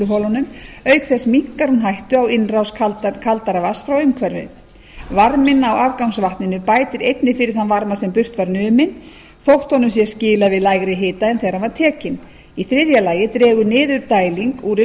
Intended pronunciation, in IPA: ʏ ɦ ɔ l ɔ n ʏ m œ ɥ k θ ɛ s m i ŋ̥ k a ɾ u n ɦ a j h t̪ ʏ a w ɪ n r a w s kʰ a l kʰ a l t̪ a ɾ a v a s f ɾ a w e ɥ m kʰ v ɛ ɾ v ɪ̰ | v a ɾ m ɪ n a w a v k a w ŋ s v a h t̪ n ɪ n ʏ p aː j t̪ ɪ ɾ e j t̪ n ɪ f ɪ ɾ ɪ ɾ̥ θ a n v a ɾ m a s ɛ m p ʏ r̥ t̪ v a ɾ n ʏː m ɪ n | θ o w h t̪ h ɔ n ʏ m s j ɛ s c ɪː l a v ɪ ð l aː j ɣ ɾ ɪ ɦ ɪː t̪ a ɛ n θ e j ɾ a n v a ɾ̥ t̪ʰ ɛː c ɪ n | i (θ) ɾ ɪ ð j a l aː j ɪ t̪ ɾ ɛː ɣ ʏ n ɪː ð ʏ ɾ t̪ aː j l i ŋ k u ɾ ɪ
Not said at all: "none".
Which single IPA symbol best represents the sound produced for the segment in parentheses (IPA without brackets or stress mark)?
θ